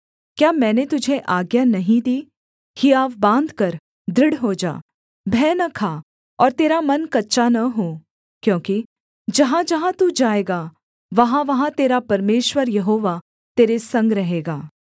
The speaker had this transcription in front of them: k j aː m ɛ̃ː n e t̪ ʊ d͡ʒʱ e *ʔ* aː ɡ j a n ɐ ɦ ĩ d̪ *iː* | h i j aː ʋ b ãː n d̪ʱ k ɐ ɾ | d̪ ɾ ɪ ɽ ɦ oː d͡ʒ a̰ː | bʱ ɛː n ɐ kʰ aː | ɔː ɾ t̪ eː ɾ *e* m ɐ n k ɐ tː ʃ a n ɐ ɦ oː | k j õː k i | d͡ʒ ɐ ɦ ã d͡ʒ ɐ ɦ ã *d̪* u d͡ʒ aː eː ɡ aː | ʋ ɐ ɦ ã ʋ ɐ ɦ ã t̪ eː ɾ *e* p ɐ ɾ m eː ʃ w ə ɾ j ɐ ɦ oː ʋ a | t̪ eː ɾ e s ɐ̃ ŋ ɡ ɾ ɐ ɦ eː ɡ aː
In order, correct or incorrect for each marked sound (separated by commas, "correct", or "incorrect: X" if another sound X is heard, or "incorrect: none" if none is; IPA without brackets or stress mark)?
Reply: correct, correct, incorrect: a, incorrect: t̪, incorrect: a